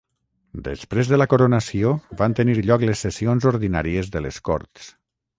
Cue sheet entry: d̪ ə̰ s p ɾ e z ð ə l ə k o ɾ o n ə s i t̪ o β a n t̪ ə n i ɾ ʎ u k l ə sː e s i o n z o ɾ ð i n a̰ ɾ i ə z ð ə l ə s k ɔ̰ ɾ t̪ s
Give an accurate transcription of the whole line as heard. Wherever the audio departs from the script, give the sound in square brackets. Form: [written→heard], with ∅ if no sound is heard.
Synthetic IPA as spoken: d̪ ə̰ s p ɾ e z ð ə l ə k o ɾ o n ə s i [t̪→∅] o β a n t̪ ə n i ɾ ʎ [u→ɔ] k l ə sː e s i o n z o ɾ ð i n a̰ ɾ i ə z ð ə l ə s k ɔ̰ ɾ t̪ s